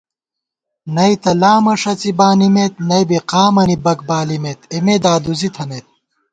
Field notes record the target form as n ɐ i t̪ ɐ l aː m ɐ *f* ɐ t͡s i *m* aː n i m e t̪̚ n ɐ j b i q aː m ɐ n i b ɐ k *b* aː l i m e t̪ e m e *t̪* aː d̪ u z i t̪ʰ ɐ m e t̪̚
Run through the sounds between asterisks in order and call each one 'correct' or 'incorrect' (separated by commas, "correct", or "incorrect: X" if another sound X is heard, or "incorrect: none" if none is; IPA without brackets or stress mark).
incorrect: ʂ, incorrect: b, correct, incorrect: d̪